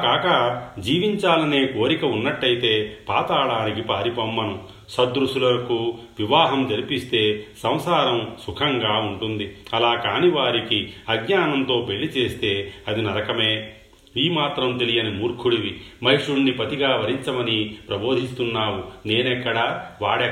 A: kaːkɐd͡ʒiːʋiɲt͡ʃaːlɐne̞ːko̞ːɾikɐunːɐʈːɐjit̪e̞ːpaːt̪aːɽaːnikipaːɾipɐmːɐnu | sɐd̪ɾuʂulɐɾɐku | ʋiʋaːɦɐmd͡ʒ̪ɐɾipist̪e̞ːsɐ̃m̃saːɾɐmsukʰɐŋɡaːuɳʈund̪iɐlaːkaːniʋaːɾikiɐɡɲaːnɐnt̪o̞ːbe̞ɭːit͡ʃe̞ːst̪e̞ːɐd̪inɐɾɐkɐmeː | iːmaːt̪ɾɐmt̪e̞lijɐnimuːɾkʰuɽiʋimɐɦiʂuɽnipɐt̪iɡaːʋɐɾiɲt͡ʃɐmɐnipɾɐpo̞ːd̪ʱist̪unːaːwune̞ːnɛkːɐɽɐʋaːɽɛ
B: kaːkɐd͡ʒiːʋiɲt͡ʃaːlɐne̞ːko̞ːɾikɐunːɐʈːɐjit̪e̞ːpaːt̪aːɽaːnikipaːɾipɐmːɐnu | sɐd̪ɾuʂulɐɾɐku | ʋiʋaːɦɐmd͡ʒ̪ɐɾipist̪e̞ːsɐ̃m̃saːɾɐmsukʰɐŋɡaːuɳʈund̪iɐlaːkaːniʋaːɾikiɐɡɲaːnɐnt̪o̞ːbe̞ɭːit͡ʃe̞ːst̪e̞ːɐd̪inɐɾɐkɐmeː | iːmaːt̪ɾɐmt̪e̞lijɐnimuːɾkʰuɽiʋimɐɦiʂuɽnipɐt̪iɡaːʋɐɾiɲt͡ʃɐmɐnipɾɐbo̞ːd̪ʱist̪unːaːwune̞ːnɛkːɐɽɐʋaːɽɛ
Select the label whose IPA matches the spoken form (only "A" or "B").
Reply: B